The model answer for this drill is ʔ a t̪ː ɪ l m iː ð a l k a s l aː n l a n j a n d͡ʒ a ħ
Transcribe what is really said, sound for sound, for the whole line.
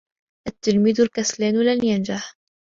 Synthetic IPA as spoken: ʔ a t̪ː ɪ l m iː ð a l k a s l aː n l a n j a n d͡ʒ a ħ